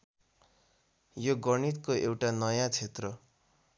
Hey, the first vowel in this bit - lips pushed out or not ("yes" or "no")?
yes